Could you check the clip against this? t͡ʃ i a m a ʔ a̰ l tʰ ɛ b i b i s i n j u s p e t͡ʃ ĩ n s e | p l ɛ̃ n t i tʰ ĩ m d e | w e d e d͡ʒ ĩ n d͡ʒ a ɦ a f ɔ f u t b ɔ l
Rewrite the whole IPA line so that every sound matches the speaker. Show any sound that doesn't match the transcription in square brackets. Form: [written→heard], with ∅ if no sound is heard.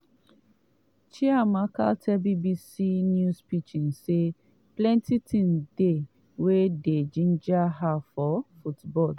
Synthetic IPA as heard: t͡ʃ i a m a [ʔ→k] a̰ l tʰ ɛ b i b i s i n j u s p [e→i] t͡ʃ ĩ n s e | p l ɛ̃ n t i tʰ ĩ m d e | w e d e d͡ʒ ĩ n d͡ʒ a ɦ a f ɔ f u t b ɔ l